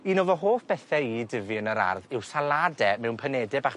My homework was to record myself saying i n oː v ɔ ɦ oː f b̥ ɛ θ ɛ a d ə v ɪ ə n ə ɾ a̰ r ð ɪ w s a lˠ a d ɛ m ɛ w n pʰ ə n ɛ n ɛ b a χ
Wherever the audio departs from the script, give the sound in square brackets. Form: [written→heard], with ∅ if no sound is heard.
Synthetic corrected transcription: i n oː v ɔ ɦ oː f b̥ ɛ θ ɛ [a→i] d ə v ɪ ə n ə ɾ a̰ r ð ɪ w s a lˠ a d ɛ m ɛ w n pʰ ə n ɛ [n→d] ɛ b a χ